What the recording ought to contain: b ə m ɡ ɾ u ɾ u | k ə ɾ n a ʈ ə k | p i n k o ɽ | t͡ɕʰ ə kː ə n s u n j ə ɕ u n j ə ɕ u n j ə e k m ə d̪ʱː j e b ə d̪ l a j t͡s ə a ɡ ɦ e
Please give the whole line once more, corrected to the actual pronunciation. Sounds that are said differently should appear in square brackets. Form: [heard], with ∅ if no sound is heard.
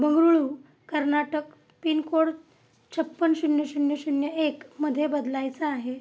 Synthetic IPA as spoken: b ə [ŋ] ɡ ɾ u [ɭ] u | k ə ɾ n a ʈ ə k | p i n k o ɽ | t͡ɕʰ ə [pː] ə n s u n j ə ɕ u n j ə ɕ u n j ə e k m ə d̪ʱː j e b ə d̪ l a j t͡s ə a [∅] ɦ e